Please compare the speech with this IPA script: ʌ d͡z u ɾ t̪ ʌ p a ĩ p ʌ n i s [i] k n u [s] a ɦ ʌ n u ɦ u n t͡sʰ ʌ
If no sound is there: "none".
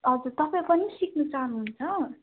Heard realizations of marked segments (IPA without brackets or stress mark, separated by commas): i, t͡s